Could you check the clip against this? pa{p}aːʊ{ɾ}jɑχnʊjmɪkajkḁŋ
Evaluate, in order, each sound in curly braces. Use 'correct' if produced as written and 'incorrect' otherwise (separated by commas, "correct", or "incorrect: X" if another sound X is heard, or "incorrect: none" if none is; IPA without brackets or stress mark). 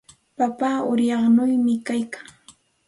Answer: correct, correct